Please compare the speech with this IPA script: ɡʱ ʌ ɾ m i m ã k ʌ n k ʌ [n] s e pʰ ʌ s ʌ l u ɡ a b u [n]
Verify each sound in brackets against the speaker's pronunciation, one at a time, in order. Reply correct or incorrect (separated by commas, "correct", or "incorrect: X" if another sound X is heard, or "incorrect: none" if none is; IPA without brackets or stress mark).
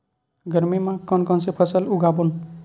correct, correct